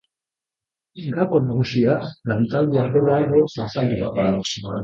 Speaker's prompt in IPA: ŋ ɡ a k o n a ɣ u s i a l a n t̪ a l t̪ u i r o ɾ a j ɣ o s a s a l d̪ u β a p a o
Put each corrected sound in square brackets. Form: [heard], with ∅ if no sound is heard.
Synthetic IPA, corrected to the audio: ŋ ɡ a k o n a ɣ u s i a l a n t̪ a l [d̪] u [a] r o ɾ a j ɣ o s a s a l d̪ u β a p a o